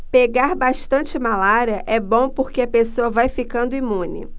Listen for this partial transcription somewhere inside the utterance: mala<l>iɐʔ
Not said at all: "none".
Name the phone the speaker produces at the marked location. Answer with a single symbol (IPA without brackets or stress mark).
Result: ɾ